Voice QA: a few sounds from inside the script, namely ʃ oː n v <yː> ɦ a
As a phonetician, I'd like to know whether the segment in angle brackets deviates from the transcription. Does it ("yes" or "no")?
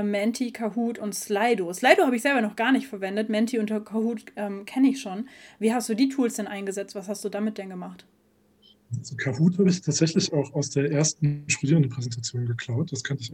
yes